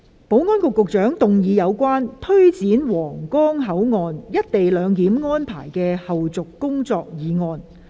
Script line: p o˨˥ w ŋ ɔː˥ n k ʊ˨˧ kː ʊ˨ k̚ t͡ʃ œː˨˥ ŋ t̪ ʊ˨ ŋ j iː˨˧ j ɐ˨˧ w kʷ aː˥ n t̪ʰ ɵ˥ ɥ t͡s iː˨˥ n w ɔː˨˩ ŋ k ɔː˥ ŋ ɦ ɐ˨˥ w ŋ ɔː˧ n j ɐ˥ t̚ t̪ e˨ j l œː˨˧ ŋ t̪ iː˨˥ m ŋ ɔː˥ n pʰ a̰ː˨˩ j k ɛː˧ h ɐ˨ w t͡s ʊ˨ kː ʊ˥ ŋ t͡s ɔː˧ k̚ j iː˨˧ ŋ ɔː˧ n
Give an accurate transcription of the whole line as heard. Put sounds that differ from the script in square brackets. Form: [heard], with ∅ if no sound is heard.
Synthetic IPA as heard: p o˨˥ w ŋ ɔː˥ n k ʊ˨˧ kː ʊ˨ k̚ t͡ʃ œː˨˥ ŋ t̪ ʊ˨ ŋ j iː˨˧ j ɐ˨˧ w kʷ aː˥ n t̪ʰ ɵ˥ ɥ t͡s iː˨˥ n w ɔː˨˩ ŋ k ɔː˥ ŋ ɦ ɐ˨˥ w ŋ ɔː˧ n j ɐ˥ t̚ t̪ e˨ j l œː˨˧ ŋ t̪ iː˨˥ m ŋ ɔː˥ n pʰ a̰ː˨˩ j k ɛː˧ h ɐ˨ w t͡s ʊ˨ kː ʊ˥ ŋ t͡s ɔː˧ k̚ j iː˨˧ ŋ ɔː˧ n